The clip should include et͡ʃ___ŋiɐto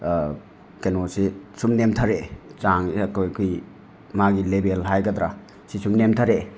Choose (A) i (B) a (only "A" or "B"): B